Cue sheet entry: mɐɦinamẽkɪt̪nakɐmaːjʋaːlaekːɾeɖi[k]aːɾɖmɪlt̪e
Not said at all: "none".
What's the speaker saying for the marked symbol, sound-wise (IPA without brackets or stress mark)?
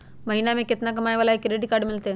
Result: k